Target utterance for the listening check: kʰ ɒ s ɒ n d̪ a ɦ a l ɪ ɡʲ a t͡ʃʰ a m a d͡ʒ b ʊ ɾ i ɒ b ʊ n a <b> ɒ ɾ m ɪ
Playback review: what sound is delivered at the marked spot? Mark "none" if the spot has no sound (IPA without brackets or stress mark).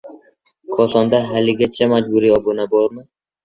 b